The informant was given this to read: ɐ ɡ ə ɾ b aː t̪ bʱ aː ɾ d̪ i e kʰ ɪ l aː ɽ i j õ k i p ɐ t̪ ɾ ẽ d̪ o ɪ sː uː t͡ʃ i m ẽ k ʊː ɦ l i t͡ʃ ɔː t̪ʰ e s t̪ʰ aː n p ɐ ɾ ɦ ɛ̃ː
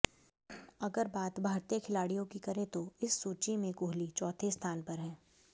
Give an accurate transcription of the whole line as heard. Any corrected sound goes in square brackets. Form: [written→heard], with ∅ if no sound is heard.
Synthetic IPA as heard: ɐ ɡ ə ɾ b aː t̪ bʱ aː ɾ [d̪→t̪] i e kʰ ɪ l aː ɽ i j õ k i [p→k] ɐ [t̪→∅] ɾ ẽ [d̪→t̪] o ɪ sː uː t͡ʃ i m ẽ k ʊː ɦ l i t͡ʃ ɔː t̪ʰ e s t̪ʰ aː n p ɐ ɾ ɦ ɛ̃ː